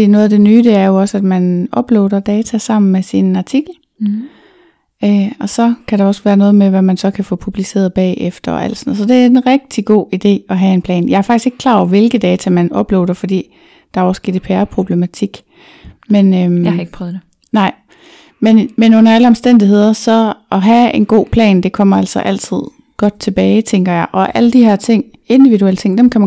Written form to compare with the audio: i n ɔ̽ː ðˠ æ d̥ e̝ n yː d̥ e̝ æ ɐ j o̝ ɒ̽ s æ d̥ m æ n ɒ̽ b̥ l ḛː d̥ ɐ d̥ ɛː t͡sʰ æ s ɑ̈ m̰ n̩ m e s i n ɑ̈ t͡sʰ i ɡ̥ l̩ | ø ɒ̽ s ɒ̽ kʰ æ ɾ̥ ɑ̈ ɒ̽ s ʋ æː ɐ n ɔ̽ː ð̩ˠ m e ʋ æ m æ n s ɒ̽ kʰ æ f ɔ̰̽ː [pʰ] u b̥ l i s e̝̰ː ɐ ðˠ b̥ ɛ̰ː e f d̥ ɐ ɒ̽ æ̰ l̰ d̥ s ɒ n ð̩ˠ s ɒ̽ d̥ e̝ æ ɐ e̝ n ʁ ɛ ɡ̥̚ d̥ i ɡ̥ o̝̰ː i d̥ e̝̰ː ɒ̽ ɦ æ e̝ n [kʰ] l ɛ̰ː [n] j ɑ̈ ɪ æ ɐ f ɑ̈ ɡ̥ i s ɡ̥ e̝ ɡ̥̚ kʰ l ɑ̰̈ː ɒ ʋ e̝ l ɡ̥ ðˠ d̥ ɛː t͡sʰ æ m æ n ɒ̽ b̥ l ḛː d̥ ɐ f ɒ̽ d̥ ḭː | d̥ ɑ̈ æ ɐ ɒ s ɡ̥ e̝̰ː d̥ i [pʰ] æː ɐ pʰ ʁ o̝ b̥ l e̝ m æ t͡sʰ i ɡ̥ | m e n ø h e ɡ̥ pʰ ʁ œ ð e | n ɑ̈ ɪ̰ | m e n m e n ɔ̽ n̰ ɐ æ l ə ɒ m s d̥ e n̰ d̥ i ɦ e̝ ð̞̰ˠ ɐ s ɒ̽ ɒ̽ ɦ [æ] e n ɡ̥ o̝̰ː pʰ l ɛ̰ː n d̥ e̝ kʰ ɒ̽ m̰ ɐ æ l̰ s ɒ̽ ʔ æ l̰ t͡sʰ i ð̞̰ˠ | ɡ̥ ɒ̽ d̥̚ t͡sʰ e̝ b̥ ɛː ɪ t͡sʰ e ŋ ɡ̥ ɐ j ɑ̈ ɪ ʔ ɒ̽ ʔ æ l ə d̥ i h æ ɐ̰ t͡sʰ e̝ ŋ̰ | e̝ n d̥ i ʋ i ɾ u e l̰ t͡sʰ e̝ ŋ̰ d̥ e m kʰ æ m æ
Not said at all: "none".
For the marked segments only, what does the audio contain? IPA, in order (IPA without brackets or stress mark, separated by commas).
pʰ, pʰ, n, pʰ, æ